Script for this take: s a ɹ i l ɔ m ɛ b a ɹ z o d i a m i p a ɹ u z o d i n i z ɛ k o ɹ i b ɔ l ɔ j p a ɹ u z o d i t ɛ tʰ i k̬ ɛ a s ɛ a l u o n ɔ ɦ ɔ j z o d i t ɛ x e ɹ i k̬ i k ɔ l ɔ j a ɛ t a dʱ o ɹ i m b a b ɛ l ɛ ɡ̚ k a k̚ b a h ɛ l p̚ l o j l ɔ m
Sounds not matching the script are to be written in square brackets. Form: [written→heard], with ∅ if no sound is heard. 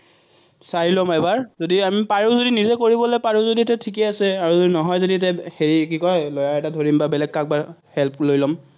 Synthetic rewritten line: s a ɹ i l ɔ m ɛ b a ɹ z o d i a m i p a ɹ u z o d i n i z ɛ k o ɹ i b ɔ l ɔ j p a ɹ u z o d i t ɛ tʰ i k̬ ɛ a s ɛ a [l→ɹ] u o n ɔ ɦ ɔ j z o d i t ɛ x e ɹ i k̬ i k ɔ l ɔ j a ɛ t a dʱ o ɹ i m b a b ɛ l ɛ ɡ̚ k a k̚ b a h ɛ l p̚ l o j l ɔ m